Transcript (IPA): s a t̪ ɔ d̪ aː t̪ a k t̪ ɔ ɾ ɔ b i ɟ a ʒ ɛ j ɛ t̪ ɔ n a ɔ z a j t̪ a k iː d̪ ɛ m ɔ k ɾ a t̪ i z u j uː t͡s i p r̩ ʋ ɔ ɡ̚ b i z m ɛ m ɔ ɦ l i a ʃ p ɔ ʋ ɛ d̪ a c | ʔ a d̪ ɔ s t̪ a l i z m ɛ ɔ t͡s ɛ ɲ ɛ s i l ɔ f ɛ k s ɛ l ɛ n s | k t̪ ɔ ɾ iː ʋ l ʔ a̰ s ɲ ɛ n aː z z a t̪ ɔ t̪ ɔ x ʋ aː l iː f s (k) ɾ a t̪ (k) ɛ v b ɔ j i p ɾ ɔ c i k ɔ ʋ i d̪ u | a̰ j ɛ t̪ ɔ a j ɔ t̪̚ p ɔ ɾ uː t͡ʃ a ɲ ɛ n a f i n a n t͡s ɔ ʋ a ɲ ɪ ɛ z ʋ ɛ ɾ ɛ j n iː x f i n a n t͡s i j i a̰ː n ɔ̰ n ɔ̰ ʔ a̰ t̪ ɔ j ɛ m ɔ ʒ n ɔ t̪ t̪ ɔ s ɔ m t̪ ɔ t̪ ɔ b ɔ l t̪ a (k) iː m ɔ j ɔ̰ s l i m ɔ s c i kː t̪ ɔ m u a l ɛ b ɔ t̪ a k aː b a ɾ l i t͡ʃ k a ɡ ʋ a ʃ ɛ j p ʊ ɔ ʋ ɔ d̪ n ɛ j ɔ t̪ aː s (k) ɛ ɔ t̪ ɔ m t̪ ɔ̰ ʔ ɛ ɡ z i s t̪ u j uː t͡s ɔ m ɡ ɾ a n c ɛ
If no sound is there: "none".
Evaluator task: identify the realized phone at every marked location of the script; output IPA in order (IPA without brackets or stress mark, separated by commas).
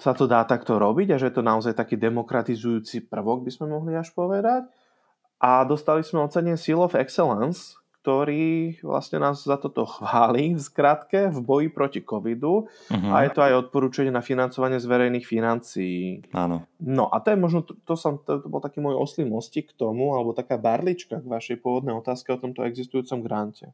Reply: k, k, k, k